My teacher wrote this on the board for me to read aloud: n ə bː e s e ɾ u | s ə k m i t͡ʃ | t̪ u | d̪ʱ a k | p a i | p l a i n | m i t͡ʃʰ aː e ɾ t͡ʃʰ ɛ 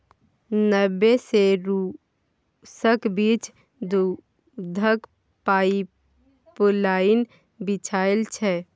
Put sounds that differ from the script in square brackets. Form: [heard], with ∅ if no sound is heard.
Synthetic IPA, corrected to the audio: n ə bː e s e ɾ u | s ə k [b] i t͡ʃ | [d̪] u | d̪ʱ [ə] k | p a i | p l a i n | [b] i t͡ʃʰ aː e [l] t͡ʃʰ ɛ